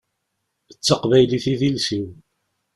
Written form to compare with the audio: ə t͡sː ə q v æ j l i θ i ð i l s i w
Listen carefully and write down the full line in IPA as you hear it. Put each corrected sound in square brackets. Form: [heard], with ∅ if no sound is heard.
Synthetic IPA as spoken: ə t͡sː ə q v æ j l i θ i ð i l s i w